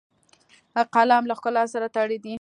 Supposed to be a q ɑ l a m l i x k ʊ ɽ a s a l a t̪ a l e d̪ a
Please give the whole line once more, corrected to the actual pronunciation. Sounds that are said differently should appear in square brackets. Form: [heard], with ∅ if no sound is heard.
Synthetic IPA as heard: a q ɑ l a m l [a] x k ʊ [l] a s a [ɾ] a t̪ a [ɽ] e d̪ [i]